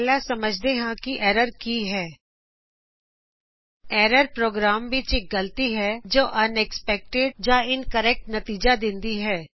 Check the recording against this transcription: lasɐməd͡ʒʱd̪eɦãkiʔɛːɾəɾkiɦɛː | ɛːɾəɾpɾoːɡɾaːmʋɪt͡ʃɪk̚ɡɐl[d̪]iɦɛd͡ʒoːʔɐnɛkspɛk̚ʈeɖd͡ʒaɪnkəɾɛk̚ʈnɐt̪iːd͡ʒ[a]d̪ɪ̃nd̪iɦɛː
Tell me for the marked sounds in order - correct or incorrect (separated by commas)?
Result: incorrect, correct